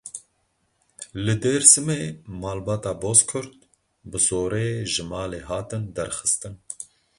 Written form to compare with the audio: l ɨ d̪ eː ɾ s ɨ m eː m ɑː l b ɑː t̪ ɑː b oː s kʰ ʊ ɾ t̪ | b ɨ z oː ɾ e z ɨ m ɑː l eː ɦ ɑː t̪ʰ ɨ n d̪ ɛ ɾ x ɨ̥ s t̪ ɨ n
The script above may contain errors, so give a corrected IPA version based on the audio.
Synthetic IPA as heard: l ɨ d̪ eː ɾ s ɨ m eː m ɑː l b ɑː t̪ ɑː b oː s kʰ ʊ ɾ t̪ | b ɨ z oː ɾ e ʒ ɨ m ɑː l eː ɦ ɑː t̪ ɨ n d̪ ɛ ɾ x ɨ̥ s t̪ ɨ n